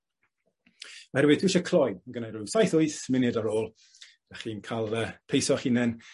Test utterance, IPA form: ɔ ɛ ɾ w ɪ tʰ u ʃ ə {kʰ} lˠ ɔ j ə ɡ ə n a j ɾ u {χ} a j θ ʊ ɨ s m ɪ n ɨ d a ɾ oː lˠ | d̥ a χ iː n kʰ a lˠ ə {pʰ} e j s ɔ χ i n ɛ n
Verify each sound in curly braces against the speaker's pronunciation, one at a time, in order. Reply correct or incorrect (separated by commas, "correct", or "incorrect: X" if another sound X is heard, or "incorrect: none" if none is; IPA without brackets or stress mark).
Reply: correct, incorrect: s, correct